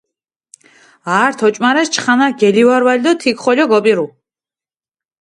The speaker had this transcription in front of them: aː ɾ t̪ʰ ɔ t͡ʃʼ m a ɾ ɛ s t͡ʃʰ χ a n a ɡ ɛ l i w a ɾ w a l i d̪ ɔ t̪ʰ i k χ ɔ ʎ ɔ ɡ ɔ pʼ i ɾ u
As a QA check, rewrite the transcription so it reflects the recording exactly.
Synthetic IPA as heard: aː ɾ t̪ʰ ɔ t͡ʃʼ m a ɾ ɛ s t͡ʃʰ χ a n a ɡ ɛ l i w a ɾ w a l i d̪ ɔ t̪ʰ i k χ ɔ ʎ ɔ ɡ ɔ pʼ i ɾ u